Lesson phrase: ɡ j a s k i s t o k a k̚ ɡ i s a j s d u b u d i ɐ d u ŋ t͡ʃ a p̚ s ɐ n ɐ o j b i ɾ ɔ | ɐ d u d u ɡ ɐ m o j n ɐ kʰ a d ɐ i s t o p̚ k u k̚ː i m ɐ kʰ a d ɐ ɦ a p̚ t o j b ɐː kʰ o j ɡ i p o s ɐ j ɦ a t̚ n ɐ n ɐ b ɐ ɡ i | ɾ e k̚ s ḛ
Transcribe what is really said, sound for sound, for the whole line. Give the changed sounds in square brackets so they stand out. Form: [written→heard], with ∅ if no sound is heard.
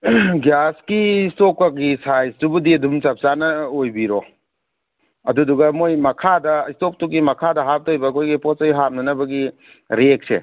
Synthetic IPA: ɡ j a s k i s t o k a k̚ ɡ i s a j s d u b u d i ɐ d u [ŋ→m] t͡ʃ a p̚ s [ɐ→a] n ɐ o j b i ɾ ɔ | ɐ d u d u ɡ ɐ m o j [n→m] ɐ kʰ a d ɐ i s t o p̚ [k→t] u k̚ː i m ɐ kʰ a d ɐ ɦ a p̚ t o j b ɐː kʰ o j ɡ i p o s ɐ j ɦ a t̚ n ɐ n ɐ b ɐ ɡ i | ɾ e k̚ s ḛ